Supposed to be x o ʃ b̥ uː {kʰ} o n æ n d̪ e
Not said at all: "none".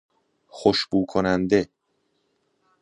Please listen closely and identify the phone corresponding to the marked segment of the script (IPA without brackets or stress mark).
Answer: kʰ